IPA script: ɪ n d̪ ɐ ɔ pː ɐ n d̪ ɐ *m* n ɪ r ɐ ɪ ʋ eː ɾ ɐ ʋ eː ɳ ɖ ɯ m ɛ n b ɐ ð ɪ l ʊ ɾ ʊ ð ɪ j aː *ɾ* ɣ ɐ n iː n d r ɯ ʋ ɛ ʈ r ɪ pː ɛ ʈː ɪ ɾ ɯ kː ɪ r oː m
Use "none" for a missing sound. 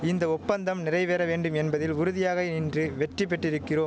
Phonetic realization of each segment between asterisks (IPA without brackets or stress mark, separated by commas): m, none